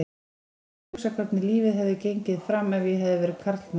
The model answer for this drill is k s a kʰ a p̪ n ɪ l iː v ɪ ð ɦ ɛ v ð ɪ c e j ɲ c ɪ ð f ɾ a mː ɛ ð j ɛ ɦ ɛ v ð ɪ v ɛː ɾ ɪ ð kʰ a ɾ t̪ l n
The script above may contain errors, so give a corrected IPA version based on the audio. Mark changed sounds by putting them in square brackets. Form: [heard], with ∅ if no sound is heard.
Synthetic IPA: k s a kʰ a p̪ n ɪ l iː v ɪ ð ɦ ɛ v ð ɪ c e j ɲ c ɪ ð f ɾ a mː ɛ [v] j ɛ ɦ ɛ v ð ɪ v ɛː ɾ ɪ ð kʰ a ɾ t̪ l n